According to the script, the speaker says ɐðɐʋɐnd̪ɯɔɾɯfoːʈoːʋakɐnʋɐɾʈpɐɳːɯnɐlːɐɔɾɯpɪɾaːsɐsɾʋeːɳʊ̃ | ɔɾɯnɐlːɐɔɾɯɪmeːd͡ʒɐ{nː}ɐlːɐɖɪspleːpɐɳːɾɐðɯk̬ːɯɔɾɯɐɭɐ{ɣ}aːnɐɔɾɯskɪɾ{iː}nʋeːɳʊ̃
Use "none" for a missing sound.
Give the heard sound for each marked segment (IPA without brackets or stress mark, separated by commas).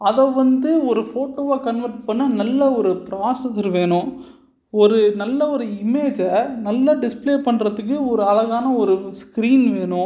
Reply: n, ɣ, iː